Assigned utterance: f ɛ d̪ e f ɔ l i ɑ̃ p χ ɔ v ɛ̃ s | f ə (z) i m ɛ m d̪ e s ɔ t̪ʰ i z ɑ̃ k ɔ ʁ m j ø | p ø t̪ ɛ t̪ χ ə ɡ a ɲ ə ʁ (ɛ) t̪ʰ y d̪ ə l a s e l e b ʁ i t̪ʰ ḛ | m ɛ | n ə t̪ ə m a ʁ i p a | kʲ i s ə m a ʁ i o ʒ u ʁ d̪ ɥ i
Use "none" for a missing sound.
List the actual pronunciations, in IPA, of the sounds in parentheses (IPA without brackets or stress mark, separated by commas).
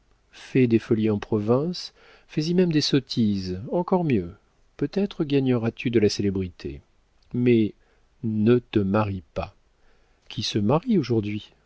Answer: z, a